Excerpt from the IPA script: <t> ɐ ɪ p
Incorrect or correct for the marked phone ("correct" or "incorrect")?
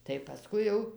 correct